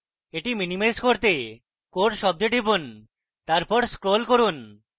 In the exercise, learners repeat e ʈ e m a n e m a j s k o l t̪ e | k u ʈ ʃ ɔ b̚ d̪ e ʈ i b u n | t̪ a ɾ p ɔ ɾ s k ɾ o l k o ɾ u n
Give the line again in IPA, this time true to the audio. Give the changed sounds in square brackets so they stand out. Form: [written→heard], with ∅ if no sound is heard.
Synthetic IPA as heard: e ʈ [e→i] m [a→i] n [e→i] m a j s k o [l→ɾ] t̪ e | k [u→o] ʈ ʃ ɔ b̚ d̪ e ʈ i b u n | t̪ a ɾ p ɔ ɾ s k ɾ o l k o ɾ u n